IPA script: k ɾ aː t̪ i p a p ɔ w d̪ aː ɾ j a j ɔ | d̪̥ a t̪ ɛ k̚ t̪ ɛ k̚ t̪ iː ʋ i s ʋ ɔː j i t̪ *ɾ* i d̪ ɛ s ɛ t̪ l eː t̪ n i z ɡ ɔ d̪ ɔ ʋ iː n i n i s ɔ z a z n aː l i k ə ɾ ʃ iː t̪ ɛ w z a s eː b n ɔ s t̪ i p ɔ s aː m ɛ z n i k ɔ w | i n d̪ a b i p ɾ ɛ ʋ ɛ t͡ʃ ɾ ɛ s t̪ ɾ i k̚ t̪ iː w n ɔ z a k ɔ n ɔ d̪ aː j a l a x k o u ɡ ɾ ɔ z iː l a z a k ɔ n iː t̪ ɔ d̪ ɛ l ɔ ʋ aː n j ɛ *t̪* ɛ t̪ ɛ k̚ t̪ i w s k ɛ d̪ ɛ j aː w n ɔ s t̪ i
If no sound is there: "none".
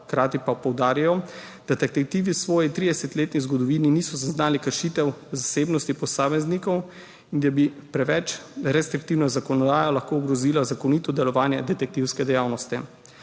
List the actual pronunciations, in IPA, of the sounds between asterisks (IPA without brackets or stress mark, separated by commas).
ɾ, d̪